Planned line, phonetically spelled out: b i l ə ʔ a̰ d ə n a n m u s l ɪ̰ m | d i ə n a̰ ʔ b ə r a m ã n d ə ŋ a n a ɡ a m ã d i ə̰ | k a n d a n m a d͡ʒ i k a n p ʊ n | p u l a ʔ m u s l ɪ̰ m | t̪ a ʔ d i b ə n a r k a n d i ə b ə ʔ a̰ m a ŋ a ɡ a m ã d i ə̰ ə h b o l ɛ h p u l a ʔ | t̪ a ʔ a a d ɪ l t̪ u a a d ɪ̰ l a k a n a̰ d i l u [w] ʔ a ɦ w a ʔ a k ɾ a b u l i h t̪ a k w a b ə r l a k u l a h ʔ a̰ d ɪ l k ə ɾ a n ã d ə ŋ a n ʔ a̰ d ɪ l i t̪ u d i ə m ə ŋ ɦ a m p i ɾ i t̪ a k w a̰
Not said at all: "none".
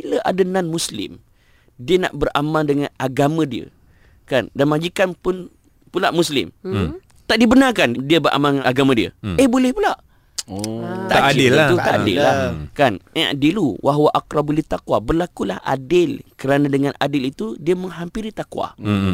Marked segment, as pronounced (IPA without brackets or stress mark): w